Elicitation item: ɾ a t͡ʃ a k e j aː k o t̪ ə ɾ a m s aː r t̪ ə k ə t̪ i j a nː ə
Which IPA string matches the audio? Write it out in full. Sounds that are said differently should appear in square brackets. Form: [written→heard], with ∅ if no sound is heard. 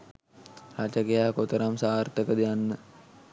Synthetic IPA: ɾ a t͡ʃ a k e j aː k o t̪ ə ɾ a m s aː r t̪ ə k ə [t̪→d̪] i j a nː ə